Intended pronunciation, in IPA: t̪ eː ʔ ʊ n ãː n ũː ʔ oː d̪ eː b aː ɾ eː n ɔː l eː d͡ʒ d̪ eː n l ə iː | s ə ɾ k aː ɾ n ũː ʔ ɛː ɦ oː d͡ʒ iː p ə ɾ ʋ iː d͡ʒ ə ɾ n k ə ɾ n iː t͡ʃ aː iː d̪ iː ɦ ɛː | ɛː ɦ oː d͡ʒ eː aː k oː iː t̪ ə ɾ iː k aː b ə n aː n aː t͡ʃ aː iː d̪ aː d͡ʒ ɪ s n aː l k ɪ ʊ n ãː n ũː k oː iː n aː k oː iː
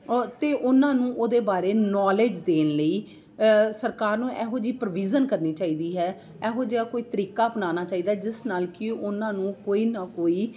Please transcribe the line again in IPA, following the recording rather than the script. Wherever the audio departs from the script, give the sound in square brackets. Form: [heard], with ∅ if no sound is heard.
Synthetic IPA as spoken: t̪ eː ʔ ʊ n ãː n ũː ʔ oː d̪ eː b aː ɾ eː n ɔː l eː d͡ʒ d̪ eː n l ə iː | s ə ɾ k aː ɾ n ũː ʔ ɛː ɦ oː d͡ʒ iː p ə ɾ ʋ iː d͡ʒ ə [∅] n k ə ɾ n iː t͡ʃ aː iː d̪ iː ɦ ɛː | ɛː ɦ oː d͡ʒ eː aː k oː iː t̪ ə ɾ iː k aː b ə n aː n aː t͡ʃ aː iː d̪ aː d͡ʒ ɪ s n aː l k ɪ ʊ n ãː n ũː k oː iː n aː k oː iː